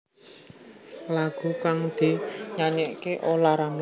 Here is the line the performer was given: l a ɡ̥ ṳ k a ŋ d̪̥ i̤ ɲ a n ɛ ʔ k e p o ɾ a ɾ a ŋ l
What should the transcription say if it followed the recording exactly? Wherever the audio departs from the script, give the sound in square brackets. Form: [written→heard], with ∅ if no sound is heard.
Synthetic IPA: l a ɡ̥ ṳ k a ŋ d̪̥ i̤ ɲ a [n→ɲ] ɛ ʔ k e [p→ʔ] o [ɾ→l] a ɾ a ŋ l